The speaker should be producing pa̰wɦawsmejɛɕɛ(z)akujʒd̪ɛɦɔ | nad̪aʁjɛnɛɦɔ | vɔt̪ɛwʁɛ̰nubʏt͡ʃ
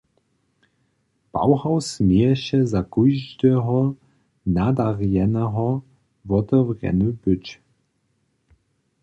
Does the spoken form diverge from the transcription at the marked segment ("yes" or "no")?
no